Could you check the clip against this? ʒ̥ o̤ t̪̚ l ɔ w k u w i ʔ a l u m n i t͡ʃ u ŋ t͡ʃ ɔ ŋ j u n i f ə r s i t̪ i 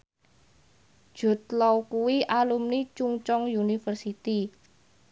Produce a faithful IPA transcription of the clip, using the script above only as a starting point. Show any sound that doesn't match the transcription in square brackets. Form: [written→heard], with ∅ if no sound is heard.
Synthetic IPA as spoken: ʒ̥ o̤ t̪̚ l ɔ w k u w i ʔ a l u m n i t͡ʃ u ŋ t͡ʃ ɔ ŋ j u n i f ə r s i t̪ i